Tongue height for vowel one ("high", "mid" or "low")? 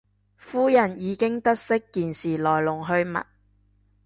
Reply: high